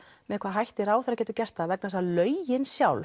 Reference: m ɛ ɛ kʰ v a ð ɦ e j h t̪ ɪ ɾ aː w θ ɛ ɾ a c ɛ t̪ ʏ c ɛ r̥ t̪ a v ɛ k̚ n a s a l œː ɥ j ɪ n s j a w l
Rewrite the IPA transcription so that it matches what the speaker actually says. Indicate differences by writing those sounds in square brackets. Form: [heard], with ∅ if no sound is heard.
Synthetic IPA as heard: m ɛ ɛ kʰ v a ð ɦ [a] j h t̪ ɪ ɾ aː w θ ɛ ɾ a c ɛ t̪ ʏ c ɛ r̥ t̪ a v ɛ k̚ n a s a l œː ɥ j ɪ n s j a w l